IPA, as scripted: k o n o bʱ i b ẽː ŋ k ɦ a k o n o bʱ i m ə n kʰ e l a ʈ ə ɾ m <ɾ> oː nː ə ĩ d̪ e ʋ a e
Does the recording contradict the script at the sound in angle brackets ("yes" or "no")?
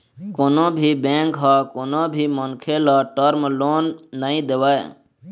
yes